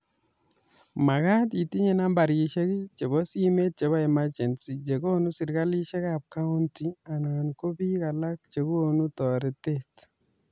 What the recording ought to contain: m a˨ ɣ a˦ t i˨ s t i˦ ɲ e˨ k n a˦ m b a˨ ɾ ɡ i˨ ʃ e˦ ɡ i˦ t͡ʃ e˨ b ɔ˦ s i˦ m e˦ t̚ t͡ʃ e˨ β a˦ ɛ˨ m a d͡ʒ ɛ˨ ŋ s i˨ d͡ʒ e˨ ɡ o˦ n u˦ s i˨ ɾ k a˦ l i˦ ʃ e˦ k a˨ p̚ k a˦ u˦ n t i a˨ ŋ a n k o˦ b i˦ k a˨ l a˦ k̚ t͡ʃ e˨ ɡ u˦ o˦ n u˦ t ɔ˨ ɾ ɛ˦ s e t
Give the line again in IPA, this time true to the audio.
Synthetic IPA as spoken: m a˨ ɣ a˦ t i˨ t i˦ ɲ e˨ n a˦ m b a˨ ɾ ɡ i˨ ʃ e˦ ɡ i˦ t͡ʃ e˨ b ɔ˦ s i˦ m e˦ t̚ t͡ʃ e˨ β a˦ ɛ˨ m a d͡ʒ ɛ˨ n s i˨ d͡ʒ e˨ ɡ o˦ n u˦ s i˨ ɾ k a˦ l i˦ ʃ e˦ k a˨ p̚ k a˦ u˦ n t i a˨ n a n k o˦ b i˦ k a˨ l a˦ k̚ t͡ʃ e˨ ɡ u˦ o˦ n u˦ t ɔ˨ ɾ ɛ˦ t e t